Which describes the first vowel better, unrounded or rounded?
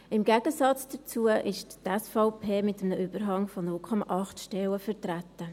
unrounded